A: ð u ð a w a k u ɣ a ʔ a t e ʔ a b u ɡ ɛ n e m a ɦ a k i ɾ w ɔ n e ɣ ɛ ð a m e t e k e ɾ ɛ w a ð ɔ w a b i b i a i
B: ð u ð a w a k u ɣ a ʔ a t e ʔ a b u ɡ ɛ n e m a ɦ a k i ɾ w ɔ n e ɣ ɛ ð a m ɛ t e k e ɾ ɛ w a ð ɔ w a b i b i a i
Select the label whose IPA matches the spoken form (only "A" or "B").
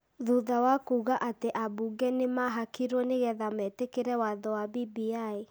B